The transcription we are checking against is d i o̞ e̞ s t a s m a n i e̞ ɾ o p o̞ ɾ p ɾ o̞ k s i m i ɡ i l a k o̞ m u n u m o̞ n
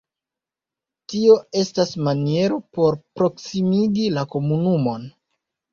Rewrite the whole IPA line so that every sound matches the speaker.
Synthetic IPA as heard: t i o̞ e̞ s t a s m a n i e̞ ɾ o p o̞ ɾ p ɾ o̞ k s i m i ɡ i l a k o̞ m u n u m o̞ n